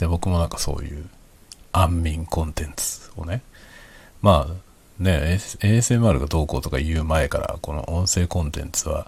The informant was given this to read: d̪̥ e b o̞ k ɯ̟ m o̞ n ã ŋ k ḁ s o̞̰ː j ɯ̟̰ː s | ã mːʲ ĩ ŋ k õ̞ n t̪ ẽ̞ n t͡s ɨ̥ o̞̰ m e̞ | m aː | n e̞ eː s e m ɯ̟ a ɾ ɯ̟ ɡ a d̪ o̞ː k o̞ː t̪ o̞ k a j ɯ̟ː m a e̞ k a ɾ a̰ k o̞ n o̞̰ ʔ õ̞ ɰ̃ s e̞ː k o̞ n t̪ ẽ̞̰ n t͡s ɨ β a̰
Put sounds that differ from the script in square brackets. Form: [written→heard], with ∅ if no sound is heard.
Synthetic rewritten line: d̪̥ e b o̞ k ɯ̟ m o̞ n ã ŋ k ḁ s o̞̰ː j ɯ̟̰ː [s→∅] | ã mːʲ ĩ ŋ k õ̞ n t̪ ẽ̞ n t͡s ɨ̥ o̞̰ [m→n] e̞ | m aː | n e̞ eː s e m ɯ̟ a ɾ ɯ̟ ɡ a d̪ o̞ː k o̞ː t̪ o̞ k a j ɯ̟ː m a e̞ k a ɾ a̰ k o̞ n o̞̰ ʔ õ̞ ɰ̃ s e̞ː k [o̞→õ̞] n t̪ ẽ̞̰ n t͡s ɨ β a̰